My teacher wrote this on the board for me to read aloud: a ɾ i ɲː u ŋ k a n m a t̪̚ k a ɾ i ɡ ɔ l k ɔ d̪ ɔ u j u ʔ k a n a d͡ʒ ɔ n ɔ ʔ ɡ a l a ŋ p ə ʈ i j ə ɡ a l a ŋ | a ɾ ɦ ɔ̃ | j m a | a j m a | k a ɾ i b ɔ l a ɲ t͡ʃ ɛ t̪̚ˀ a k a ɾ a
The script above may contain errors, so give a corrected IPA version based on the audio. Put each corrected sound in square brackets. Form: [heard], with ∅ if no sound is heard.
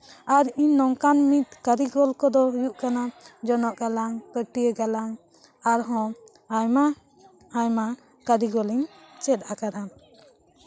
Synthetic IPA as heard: a ɾ i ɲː [ɔ] ŋ k a n m [i] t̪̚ k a ɾ i ɡ ɔ l k ɔ d̪ ɔ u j u ʔ k a n a d͡ʒ ɔ n ɔ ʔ ɡ a l a ŋ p ə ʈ i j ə ɡ a l a ŋ | a ɾ ɦ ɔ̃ | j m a | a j m a | k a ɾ i [ɡ] ɔ l [i] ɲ t͡ʃ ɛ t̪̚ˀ a k a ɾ a

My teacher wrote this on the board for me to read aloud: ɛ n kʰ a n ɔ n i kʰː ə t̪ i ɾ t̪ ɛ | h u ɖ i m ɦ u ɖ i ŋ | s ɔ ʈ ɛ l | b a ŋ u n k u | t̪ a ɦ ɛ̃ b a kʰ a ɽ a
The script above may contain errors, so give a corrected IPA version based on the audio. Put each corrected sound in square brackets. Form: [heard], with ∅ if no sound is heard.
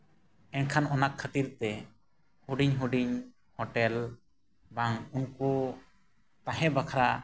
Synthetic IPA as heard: ɛ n kʰ a n ɔ n [a] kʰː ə t̪ i ɾ t̪ ɛ | h u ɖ i [ɲ] ɦ u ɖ i [ɲ] | [h] ɔ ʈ ɛ l | b a ŋ u n k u | t̪ a ɦ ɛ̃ b a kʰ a [ɾ] a

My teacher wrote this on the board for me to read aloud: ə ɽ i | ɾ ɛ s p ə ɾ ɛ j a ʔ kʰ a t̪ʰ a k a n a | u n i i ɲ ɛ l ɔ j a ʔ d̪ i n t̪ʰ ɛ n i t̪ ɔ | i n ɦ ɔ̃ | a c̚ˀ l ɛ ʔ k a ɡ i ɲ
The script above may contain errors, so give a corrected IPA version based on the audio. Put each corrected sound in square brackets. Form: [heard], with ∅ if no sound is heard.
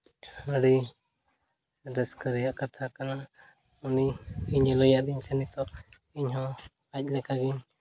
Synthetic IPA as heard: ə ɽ i | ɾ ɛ s [k] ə ɾ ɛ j a ʔ [k] a t̪ʰ a k a n a | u n i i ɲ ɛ l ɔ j a ʔ d̪ i [ɲ] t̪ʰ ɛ n i t̪ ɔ | i [ɲ] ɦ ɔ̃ | a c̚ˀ l ɛ [∅] k a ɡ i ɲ

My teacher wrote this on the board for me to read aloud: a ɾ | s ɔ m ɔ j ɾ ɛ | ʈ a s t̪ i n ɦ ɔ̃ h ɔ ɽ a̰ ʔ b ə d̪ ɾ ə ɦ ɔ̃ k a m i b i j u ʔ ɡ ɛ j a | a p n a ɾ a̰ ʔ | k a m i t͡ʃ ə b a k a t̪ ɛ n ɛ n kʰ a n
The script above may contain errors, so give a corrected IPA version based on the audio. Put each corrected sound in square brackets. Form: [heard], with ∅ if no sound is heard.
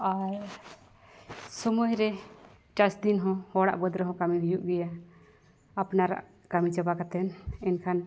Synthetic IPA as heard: a ɾ | s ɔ m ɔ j ɾ ɛ | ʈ a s [d̪] i n ɦ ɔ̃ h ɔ ɽ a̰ ʔ b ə d̪ ɾ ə ɦ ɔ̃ k a m i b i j u ʔ ɡ ɛ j a | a p n a ɾ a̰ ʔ | k a m i t͡ʃ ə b a k a t̪ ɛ n ɛ n kʰ a n

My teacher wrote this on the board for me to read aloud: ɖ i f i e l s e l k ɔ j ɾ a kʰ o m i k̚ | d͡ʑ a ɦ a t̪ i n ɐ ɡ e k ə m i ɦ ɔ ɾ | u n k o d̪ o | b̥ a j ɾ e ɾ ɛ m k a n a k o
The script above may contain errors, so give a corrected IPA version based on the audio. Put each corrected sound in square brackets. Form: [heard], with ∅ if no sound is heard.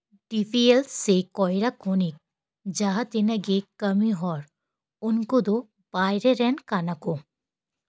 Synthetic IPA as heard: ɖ i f i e l s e [∅] k ɔ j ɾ a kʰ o [n] i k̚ | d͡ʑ a ɦ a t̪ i n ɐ ɡ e k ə m i ɦ ɔ ɾ | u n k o d̪ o | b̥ a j ɾ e ɾ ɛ [n] k a n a k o

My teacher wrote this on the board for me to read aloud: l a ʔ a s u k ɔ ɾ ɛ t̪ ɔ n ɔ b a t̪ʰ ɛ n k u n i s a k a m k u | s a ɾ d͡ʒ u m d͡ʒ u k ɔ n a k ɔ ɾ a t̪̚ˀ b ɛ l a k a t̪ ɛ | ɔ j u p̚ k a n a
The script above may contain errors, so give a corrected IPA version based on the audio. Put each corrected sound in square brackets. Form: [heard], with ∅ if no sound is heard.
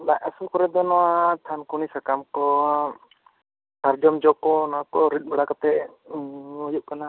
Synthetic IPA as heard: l a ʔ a s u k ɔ ɾ ɛ [d̪] ɔ n ɔ [w] a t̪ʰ [a] n k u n i s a k a m k [ɔ] | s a ɾ d͡ʒ [ɔ] m d͡ʒ [ɔ] k ɔ n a k ɔ ɾ [i] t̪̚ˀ b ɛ [ɽ] a k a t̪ ɛ | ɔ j u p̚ k a n a

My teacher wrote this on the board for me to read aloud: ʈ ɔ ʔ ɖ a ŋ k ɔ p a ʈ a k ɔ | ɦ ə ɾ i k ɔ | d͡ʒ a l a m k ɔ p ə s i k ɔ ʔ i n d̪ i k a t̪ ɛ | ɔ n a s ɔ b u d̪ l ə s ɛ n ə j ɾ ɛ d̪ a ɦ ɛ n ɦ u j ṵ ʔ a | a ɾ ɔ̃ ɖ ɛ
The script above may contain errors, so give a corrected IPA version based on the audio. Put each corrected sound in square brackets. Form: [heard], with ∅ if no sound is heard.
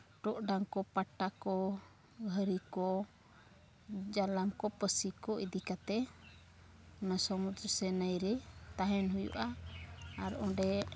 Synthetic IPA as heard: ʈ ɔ ʔ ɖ a ŋ k ɔ p a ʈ a k ɔ | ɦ ə ɾ i k ɔ | d͡ʒ a l a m k ɔ p ə s i k ɔ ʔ i [∅] d̪ i k a t̪ ɛ | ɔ n a s ɔ [m] u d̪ [ɾ] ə s ɛ n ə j ɾ ɛ [t̪] a ɦ ɛ n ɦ u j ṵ ʔ a | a ɾ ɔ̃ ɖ ɛ

